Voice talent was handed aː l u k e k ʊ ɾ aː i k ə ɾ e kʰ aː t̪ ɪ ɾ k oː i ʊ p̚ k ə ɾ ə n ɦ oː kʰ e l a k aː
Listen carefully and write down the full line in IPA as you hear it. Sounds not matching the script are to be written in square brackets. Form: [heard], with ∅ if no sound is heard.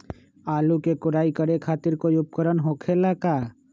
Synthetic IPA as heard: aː l u k e k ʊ ɾ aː i k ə ɾ e kʰ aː t̪ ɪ ɾ k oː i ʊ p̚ k ə ɾ ə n ɦ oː kʰ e l a k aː